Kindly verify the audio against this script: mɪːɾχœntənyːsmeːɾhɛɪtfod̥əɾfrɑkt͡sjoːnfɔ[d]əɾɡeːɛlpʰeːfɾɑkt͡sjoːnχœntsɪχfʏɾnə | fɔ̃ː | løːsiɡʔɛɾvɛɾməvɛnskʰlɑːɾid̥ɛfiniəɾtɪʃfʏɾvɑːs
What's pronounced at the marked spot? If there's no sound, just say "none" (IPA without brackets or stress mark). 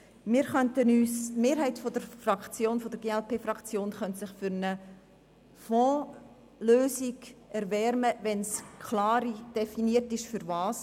d